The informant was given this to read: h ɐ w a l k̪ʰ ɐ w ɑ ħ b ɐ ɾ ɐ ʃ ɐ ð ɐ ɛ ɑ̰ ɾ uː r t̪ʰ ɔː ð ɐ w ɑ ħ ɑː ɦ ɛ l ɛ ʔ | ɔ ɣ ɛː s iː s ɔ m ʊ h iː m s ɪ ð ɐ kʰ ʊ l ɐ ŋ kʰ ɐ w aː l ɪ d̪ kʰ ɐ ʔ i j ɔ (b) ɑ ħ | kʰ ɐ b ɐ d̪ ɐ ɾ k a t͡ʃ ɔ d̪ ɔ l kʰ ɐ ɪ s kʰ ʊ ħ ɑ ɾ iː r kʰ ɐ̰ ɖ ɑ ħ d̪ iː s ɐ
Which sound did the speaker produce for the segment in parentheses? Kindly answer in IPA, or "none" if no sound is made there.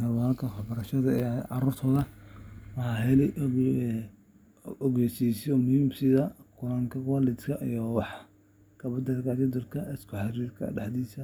w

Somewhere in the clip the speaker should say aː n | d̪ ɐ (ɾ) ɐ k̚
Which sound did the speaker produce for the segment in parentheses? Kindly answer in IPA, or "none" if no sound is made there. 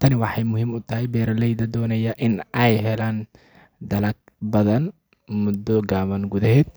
l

